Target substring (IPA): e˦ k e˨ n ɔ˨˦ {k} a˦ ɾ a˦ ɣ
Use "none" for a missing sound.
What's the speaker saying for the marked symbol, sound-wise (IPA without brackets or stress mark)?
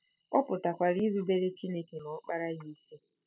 k͡p